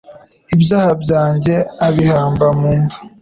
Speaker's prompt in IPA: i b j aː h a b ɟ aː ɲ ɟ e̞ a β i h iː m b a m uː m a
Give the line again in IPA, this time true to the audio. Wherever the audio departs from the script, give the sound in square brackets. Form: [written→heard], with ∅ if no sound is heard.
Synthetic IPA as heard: i b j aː h a b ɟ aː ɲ ɟ e̞ a β i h [iː→aː] m b a m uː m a